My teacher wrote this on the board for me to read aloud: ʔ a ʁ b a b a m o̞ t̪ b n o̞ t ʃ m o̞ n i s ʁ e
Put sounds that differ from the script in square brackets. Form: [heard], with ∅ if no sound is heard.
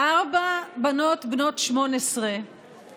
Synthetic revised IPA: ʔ a ʁ b a b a [n] o̞ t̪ b n o̞ t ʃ m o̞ n [e] s ʁ e